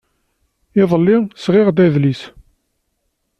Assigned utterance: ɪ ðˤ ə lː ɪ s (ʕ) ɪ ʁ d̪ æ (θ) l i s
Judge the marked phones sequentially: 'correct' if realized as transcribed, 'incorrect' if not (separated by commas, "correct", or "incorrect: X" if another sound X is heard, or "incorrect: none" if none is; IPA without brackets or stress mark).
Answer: incorrect: ʁ, incorrect: ð